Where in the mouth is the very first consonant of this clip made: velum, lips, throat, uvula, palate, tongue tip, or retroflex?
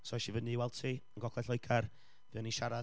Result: tongue tip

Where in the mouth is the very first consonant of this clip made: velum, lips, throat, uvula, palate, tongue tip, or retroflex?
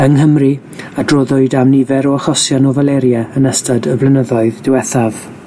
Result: velum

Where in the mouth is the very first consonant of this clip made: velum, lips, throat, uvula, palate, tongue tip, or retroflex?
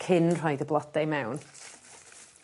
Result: velum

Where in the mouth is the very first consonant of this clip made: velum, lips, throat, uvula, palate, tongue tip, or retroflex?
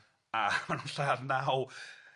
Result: lips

